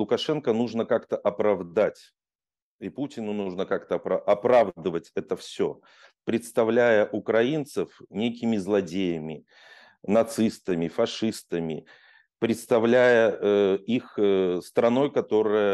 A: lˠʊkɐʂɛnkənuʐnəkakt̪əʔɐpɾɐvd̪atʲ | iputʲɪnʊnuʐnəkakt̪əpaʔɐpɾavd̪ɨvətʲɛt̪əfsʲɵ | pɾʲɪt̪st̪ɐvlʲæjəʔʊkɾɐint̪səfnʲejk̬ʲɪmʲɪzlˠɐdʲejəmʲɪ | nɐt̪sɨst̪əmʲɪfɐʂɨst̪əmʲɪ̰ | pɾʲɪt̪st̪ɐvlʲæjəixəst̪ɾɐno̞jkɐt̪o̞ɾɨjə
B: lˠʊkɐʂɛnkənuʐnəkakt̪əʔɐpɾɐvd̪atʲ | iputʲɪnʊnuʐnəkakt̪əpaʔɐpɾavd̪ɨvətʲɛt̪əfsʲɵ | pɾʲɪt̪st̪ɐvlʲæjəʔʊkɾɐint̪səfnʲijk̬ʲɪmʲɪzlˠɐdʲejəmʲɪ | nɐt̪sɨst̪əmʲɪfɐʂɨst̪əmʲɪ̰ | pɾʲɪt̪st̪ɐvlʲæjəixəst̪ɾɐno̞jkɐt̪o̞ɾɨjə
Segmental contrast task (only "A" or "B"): A